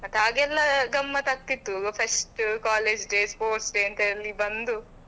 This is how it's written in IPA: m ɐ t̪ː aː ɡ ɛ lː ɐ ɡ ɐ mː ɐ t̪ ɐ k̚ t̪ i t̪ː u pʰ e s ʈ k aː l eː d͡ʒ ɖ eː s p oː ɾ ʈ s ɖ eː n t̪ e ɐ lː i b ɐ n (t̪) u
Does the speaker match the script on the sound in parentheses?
no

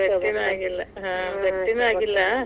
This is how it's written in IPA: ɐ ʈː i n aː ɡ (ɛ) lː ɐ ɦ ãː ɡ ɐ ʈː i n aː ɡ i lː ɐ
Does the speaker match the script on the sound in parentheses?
no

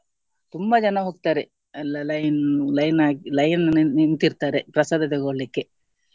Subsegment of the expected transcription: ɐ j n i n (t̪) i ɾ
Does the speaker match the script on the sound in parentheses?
yes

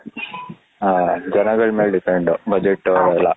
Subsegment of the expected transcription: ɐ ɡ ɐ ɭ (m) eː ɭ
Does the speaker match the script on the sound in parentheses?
yes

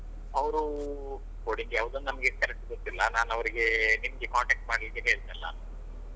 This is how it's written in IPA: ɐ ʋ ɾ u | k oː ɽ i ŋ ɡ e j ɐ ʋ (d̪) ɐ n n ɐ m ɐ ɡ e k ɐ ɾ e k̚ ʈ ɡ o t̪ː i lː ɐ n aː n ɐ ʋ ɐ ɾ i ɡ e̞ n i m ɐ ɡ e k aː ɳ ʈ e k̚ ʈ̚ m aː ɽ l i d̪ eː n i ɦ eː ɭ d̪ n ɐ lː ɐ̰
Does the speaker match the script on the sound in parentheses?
yes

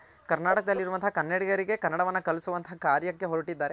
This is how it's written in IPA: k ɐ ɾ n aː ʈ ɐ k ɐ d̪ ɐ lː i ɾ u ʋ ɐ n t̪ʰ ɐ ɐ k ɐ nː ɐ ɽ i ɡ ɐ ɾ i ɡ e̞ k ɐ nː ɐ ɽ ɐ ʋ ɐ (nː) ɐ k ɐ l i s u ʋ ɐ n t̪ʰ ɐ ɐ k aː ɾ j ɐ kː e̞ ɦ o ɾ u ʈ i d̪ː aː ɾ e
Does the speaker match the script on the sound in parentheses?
yes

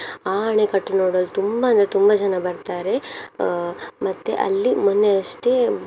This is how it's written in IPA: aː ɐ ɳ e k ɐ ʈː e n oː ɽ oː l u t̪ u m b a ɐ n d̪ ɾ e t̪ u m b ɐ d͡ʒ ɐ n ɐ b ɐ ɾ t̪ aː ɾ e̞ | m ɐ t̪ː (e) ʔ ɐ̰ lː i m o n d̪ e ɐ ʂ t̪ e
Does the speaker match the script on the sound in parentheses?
yes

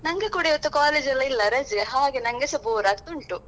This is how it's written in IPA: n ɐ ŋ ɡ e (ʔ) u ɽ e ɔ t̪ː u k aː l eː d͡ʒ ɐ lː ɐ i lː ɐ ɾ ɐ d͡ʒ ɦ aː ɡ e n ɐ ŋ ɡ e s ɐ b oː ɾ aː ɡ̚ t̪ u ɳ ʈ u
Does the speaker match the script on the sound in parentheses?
no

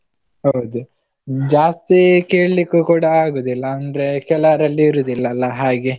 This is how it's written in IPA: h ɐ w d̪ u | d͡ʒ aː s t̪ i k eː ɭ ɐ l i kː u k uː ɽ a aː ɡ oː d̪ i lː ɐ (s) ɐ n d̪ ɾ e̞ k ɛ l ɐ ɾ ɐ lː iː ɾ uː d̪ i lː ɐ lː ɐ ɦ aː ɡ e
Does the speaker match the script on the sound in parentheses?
no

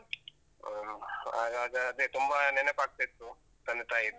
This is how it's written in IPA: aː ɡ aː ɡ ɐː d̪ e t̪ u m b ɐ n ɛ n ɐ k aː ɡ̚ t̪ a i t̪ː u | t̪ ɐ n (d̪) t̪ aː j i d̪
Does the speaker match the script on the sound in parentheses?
yes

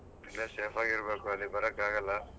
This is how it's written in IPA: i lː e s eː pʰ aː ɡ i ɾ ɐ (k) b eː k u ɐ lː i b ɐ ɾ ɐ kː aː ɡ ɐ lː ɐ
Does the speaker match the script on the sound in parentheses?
no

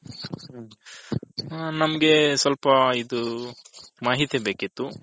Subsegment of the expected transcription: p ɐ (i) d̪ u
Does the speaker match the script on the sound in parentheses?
yes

